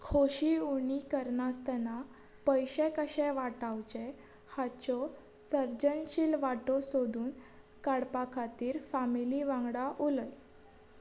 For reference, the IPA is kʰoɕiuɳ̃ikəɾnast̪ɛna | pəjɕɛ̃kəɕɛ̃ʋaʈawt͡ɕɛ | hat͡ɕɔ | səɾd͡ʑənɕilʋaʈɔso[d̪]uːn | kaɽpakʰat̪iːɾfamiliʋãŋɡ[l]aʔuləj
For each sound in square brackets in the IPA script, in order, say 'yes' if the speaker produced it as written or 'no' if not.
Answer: yes, no

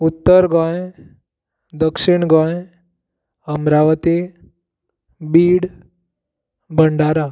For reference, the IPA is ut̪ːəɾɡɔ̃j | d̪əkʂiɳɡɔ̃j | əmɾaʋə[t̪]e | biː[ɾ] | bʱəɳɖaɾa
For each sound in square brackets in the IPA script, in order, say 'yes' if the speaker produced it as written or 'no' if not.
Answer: yes, no

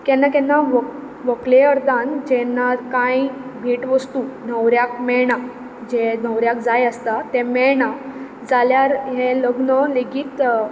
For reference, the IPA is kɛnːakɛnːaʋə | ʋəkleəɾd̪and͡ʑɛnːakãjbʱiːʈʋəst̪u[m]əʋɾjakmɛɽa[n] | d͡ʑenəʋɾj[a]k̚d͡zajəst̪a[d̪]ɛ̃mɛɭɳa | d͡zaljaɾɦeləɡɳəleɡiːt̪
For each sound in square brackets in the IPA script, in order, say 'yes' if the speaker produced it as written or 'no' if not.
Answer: no, no, yes, no

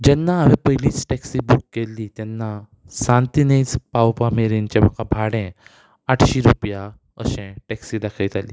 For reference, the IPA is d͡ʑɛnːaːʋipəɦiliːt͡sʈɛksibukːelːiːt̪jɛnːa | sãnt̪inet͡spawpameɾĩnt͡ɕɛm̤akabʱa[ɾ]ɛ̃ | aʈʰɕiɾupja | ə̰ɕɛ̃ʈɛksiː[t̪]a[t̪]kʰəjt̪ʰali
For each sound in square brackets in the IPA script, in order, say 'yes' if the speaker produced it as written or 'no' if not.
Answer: no, no, no

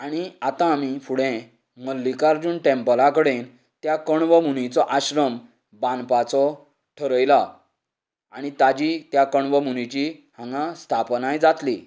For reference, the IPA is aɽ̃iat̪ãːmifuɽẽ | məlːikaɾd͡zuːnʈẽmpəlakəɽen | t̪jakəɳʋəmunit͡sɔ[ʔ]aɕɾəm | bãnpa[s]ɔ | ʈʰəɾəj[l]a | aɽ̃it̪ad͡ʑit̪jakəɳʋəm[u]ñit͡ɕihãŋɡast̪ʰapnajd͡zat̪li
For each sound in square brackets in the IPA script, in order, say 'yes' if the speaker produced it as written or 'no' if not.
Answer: yes, no, yes, yes

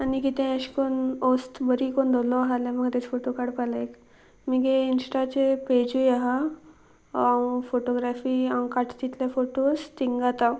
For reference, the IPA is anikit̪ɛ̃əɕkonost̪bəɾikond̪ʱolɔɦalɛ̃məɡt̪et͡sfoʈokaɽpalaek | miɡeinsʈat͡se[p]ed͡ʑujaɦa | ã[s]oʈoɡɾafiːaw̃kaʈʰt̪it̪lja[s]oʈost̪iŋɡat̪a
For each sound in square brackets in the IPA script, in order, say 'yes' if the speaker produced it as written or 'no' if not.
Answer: yes, no, no

